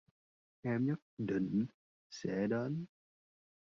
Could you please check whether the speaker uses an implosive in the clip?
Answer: yes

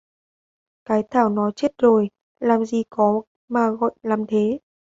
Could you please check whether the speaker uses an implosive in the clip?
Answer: no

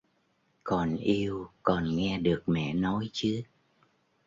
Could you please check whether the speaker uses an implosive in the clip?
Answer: yes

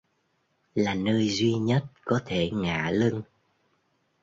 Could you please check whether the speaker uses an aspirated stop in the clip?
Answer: yes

